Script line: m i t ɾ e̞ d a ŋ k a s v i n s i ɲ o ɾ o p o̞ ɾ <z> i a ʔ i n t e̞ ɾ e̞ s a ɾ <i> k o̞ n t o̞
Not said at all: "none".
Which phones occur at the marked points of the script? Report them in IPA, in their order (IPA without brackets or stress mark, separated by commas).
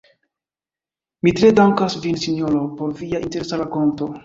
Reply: v, a